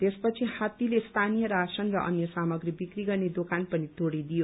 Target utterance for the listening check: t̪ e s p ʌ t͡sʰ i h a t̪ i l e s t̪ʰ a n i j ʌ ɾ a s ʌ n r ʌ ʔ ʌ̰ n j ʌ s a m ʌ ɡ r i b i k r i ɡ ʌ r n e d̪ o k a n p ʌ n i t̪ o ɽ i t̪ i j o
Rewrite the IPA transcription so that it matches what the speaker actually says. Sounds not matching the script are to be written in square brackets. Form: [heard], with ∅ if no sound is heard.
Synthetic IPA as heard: t̪ e s p ʌ t͡sʰ i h a t̪ i l e s t̪ʰ a n i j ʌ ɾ a s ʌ n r ʌ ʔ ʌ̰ n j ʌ s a m ʌ ɡ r i b i k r i ɡ ʌ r n e d̪ o k a n p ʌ n i t̪ o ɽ i [d̪] i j o